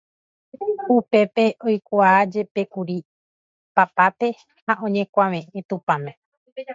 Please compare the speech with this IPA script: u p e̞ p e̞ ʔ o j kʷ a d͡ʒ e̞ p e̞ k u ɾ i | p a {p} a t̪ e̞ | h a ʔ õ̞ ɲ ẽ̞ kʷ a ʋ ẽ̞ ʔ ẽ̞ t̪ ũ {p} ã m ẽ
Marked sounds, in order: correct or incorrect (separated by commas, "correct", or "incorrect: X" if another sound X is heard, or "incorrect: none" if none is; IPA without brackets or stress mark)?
correct, correct